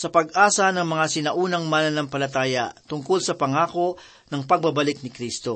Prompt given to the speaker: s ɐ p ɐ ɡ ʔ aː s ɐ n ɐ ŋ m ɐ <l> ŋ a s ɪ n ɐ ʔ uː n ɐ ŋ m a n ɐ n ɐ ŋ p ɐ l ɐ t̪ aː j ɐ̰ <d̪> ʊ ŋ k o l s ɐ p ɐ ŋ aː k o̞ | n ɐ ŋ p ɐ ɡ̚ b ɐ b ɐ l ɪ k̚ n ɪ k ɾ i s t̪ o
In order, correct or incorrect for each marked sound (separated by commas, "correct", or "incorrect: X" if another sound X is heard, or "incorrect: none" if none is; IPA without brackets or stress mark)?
incorrect: none, incorrect: t̪